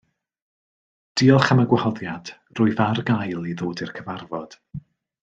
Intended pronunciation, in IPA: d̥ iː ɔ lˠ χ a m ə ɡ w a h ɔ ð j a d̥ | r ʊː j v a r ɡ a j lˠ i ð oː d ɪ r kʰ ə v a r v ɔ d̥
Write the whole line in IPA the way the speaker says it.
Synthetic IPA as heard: d̥ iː ɔ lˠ χ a m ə ɡ w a h ɔ ð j a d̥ | r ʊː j v a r ɡ a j lˠ i ð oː d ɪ r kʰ ə v a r v ɔ d̥